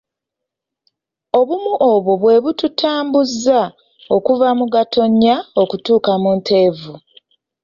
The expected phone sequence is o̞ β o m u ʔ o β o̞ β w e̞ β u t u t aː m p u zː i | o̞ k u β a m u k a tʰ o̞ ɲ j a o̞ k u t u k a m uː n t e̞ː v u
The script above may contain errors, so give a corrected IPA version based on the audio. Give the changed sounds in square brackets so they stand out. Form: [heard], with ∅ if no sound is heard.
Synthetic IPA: o̞ β [u] m u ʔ o β o̞ β w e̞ β u t u t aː m [b] u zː [a] | o̞ k u [v] a m u [ɡ] a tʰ o̞ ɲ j a o̞ k u t [uː] k a m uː n t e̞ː v u